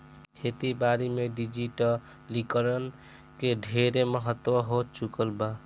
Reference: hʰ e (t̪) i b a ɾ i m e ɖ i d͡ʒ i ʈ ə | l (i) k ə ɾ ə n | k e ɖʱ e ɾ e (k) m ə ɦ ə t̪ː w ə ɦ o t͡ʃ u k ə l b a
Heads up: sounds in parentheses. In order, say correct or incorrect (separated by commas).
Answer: correct, correct, incorrect